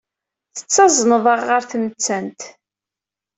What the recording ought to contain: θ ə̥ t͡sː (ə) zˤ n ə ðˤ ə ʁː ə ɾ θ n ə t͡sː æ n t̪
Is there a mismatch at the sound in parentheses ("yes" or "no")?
yes